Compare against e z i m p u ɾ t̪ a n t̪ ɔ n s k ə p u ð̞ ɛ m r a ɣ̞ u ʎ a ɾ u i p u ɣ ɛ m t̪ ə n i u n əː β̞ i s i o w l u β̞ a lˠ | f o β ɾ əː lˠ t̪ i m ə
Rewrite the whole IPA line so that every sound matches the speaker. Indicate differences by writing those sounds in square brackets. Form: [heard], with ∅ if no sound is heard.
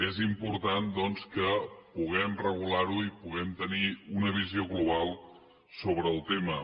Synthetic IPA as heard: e z i m p u ɾ t̪ a n [d̪] ɔ n s k ə p u [ɣ̞] ɛ m r [ə] ɣ̞ u [l] a ɾ u i p u ɣ ɛ m t̪ ə n i u n [ə] β̞ i [z] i o [ɣ] l u β̞ a lˠ | [s] o β ɾ əː lˠ t̪ [e] m ə

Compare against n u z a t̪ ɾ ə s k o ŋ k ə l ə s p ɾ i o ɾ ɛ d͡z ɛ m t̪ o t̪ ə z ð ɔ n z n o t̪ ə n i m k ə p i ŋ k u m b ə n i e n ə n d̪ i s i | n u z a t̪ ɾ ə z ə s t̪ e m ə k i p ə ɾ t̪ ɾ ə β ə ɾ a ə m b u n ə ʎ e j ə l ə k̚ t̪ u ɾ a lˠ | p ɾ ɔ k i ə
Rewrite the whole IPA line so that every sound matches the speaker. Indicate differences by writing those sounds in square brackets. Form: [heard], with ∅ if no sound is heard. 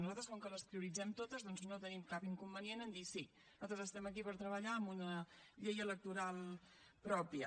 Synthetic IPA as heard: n u z a t̪ ɾ ə s k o ŋ k ə l ə s p ɾ i [u] ɾ [i] d͡z ɛ m t̪ o t̪ ə z ð ɔ n z n o t̪ ə n i m k [a] p i ŋ k u m b ə n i e n ə n d̪ i s i | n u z a t̪ ɾ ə z ə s t̪ [ɛ] m ə k i p ə ɾ t̪ ɾ ə β ə [ʎ] a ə m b u n ə ʎ e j ə l ə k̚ t̪ u ɾ a lˠ | p ɾ ɔ [p] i ə

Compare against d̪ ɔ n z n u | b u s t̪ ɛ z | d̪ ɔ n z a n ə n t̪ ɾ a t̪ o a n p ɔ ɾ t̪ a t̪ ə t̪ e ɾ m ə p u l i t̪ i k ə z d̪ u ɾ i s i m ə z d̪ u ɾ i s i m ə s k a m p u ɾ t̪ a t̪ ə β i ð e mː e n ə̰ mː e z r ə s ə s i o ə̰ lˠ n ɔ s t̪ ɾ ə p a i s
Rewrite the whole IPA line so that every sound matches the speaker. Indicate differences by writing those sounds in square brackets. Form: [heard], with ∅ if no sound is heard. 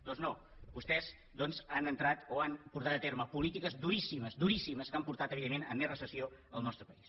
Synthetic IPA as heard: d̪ ɔ n z n [o] | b u s t̪ ɛ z | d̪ ɔ n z a n ə n t̪ ɾ a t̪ o a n p [u] ɾ t̪ a t̪ ə t̪ e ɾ m ə p u l i t̪ i k ə z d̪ u ɾ i s i m ə z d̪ u ɾ i s i m ə s k a m p u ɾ t̪ a t̪ ə β i ð e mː e n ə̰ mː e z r ə s ə s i o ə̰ lˠ n ɔ s t̪ ɾ ə p [ə] i s

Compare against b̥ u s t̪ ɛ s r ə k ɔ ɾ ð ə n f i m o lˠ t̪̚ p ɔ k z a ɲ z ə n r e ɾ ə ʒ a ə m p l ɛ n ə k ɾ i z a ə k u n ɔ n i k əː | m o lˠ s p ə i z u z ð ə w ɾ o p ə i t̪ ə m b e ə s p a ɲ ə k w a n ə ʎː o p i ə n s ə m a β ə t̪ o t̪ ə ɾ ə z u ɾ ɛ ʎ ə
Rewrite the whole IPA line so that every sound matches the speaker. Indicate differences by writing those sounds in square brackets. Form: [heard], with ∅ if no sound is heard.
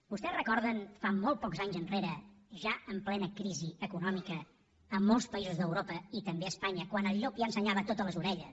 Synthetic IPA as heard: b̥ u s t̪ ɛ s r ə k ɔ ɾ ð ə n f [a] m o lˠ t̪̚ p ɔ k z a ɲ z ə n r e ɾ ə ʒ a ə m p l ɛ n ə k ɾ i z [i] ə k u n ɔ [m] i k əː | m o lˠ s p ə i z u z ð ə w ɾ o p ə i t̪ ə m b e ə s p a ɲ ə k w a n ə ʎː o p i ə n s ə [ɲ] a β ə t̪ o t̪ ə [l] ə z u ɾ ɛ ʎ ə

